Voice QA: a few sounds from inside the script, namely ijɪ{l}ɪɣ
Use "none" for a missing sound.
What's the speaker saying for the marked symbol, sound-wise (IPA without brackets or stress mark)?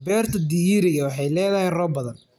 ɾ